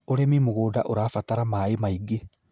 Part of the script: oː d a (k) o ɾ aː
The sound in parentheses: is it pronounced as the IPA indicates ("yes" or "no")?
no